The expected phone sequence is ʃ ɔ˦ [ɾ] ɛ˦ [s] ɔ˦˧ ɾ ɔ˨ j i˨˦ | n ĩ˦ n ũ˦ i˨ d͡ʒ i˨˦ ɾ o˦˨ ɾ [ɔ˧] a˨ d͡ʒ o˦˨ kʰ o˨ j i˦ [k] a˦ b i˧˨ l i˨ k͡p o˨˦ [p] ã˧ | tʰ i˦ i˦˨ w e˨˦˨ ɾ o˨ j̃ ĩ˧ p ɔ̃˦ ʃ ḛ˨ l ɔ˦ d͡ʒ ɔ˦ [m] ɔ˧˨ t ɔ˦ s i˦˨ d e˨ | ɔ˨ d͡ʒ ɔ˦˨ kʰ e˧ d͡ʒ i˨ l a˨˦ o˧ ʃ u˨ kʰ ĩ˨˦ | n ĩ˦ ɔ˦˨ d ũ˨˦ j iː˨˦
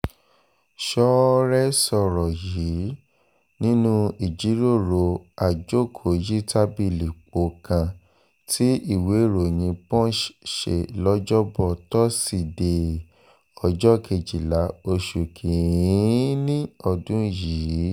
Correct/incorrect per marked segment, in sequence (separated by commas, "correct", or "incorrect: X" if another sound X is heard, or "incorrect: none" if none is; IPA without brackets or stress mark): correct, correct, incorrect: o˧, incorrect: t, incorrect: k, incorrect: b